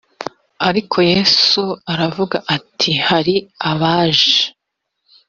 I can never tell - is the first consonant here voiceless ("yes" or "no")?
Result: no